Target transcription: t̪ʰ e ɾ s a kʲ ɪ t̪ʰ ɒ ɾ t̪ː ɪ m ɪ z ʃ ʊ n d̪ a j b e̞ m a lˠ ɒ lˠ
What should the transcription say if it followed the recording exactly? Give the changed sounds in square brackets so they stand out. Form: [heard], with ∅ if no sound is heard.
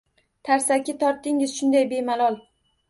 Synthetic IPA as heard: t̪ʰ [a] ɾ s a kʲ ɪ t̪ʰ ɒ ɾ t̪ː ɪ [ŋ] ɪ z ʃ ʊ n d̪ a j b e̞ m a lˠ ɒ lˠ